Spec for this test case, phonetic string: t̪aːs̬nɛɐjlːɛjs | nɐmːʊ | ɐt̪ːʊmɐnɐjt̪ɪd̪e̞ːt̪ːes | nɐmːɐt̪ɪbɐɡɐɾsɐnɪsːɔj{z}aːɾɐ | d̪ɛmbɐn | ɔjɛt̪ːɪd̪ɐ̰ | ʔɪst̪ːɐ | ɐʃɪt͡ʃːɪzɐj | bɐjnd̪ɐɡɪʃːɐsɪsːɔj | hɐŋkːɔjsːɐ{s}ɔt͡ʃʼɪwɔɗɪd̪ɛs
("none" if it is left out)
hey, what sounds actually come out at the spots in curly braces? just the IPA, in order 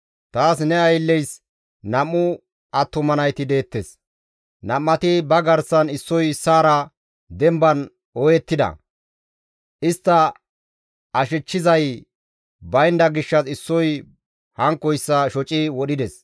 s, ʃ

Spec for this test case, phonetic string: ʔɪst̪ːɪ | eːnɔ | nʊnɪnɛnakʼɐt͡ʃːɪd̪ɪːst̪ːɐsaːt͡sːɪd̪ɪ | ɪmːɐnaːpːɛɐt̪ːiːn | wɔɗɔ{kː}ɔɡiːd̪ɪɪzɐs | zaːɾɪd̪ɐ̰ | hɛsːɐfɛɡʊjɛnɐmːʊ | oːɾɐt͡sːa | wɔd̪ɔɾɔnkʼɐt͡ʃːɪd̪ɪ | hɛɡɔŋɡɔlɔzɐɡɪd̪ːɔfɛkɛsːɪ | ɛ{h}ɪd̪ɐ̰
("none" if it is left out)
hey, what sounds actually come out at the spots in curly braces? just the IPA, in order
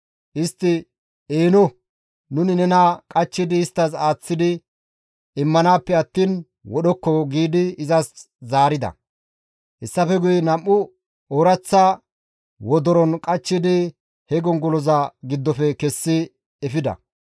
kː, f

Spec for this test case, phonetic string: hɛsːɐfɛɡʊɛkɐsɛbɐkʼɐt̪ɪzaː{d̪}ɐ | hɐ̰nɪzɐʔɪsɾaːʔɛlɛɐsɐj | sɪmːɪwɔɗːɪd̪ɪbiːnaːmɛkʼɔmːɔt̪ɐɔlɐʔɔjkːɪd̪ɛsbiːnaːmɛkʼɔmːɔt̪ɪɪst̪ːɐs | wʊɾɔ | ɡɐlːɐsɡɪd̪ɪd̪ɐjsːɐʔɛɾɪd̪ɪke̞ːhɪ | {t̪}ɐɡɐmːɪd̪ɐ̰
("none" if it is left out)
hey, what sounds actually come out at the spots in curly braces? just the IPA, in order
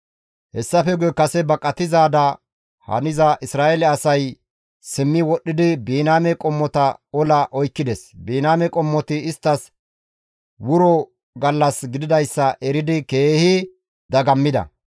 d̪, d̪

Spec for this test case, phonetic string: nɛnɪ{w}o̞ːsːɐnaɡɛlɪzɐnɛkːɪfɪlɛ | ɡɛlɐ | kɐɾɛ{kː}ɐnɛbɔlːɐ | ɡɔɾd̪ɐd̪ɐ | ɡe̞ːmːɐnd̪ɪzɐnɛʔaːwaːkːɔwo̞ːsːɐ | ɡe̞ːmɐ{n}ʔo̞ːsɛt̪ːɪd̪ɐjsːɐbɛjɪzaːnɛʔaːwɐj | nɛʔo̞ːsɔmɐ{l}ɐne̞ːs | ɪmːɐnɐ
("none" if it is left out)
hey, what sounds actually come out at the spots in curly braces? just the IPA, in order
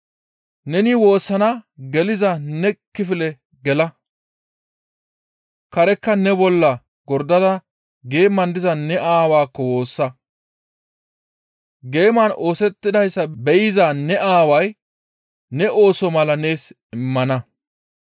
w, kː, n, l

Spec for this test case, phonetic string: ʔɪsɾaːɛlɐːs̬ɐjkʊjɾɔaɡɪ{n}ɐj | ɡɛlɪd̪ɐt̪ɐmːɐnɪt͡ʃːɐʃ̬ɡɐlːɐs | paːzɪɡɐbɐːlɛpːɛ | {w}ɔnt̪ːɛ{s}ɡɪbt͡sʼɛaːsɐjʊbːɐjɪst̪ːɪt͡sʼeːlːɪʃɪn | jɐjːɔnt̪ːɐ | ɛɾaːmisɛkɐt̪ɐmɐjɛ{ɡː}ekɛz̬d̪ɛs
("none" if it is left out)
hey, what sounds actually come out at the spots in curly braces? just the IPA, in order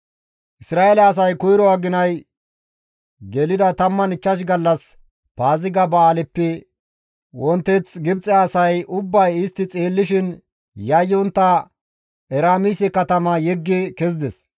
n, w, t͡s, ɡː

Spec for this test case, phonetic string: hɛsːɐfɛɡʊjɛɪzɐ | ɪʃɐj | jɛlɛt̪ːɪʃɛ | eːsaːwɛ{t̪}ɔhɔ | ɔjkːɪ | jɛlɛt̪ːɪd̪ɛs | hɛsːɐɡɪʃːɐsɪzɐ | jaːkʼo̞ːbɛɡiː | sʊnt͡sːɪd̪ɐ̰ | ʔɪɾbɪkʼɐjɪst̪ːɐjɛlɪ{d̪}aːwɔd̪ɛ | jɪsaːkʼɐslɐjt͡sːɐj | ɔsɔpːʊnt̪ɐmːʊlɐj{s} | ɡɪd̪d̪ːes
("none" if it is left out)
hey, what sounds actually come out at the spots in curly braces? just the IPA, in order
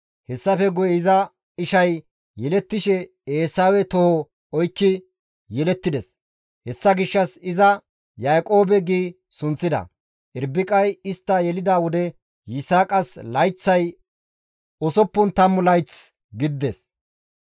t̪, d̪, t͡s

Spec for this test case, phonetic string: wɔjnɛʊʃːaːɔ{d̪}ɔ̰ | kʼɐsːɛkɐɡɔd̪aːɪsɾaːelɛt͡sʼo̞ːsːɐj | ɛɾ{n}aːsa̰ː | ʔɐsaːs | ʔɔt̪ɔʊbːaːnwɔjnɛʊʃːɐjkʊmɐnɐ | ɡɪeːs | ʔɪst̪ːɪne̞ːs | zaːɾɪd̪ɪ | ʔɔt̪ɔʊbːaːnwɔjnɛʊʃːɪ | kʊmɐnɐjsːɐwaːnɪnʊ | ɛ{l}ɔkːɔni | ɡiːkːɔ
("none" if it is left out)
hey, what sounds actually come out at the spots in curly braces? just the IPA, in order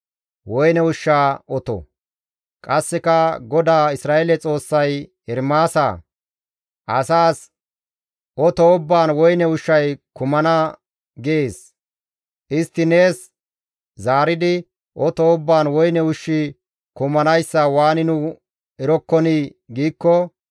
t̪, m, ɾ

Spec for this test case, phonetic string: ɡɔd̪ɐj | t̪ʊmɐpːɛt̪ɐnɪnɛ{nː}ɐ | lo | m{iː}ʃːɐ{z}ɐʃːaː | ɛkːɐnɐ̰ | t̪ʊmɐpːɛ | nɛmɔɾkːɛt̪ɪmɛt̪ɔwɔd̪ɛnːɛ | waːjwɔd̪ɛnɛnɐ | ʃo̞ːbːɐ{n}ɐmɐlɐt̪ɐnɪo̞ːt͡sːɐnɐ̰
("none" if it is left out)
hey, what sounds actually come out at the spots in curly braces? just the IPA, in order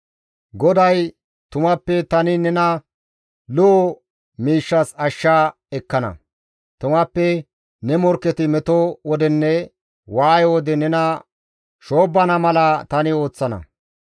n, iː, s, n

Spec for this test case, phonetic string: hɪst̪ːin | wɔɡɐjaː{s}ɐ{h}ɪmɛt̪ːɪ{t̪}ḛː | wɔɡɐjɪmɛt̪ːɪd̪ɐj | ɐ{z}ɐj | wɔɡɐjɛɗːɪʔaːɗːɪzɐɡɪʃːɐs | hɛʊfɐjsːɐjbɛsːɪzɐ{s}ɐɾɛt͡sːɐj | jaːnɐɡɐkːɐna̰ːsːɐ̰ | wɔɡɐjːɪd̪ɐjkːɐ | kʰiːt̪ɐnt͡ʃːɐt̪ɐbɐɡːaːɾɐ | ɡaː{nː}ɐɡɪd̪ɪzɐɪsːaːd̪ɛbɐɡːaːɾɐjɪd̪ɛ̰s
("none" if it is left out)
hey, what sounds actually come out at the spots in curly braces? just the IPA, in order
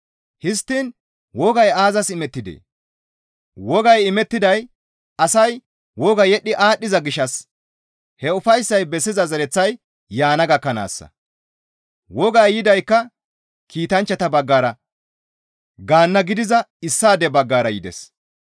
z, s, d̪, s, z, nː

